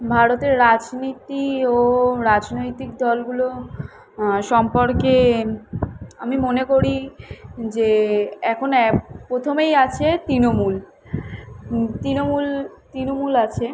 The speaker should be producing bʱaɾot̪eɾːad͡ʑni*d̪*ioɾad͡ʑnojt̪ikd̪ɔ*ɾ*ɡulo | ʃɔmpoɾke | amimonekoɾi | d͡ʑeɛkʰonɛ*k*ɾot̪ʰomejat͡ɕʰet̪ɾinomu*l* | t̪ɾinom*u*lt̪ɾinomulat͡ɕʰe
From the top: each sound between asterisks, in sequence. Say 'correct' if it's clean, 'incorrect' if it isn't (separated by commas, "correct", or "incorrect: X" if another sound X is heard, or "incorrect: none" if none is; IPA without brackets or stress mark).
incorrect: t̪, incorrect: l, incorrect: p, correct, correct